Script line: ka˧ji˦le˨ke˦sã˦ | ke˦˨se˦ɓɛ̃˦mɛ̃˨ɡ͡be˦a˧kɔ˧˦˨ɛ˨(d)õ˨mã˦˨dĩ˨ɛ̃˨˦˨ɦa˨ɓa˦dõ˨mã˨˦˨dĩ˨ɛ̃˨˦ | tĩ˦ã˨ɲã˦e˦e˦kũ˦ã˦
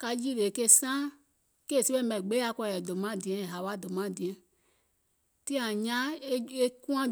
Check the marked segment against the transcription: correct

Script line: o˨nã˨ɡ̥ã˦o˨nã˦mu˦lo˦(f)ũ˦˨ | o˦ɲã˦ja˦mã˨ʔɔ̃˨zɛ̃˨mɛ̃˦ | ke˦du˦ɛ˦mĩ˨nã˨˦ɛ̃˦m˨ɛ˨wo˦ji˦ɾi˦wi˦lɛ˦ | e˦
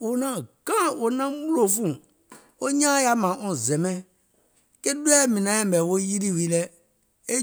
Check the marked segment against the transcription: correct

